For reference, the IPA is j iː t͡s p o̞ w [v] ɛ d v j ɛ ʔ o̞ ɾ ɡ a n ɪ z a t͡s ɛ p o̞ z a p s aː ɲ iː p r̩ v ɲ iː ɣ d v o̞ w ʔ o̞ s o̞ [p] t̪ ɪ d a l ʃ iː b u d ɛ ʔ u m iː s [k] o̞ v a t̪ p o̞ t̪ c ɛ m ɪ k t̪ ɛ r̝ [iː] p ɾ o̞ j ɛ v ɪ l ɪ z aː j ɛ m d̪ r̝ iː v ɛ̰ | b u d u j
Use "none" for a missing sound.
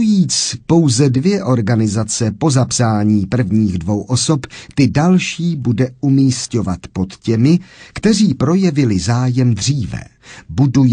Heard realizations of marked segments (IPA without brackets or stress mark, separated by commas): z, p, c, iː